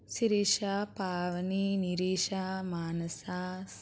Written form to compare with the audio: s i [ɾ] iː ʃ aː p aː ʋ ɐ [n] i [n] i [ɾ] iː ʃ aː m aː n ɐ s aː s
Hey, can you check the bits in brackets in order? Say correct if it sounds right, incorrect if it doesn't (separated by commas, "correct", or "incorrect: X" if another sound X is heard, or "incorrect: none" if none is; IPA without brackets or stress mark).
correct, correct, correct, correct